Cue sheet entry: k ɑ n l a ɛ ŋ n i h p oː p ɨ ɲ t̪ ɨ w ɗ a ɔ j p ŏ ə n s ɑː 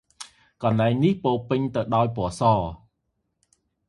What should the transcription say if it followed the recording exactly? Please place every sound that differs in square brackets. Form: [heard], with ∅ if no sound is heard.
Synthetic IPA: k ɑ n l a ɛ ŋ n i h p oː p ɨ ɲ t̪ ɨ w ɗ a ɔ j p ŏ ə [∅] s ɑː